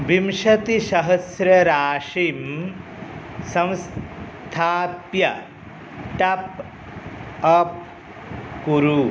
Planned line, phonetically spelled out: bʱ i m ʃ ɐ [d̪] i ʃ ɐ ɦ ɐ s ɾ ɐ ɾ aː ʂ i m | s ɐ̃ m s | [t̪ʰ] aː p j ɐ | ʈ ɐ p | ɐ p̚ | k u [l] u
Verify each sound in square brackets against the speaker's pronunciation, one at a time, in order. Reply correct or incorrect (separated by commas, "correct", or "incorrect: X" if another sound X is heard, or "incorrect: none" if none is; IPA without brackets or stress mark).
incorrect: t̪, correct, incorrect: ɾ